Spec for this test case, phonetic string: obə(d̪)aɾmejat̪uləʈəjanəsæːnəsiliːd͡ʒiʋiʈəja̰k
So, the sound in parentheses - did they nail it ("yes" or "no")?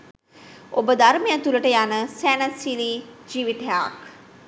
yes